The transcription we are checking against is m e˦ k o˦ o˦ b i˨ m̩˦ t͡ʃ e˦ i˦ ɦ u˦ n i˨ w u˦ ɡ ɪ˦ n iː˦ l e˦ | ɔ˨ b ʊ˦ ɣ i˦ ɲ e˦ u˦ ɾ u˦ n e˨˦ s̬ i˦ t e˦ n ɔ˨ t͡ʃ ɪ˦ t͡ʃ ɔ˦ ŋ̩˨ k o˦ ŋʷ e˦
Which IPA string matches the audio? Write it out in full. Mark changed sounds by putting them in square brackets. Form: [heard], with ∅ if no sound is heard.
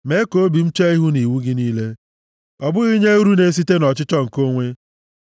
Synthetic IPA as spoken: m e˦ k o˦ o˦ b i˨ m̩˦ t͡ʃ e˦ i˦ ɦ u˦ n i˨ w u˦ ɡ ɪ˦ n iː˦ l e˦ | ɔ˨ b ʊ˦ ɣ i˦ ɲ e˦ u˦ ɾ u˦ n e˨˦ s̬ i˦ t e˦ n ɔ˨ t͡ʃ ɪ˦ t͡ʃ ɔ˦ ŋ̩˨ k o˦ ŋʷ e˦